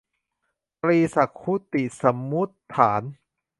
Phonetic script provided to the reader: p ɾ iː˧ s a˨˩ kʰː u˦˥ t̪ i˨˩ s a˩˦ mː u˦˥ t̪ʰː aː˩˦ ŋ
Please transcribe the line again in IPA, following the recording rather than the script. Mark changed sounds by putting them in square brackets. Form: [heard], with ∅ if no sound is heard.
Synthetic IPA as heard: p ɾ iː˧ s a˨˩ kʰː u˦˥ t̪ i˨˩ s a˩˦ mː u˦˥ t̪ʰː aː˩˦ [n]